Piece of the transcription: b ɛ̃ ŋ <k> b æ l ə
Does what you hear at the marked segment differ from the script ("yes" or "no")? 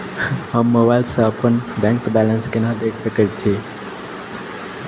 no